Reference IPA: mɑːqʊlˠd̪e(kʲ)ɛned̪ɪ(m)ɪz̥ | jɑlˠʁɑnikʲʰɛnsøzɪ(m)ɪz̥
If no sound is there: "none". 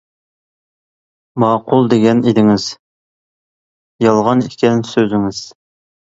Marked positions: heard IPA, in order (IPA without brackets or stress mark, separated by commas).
ɡʲ, ŋ, ŋ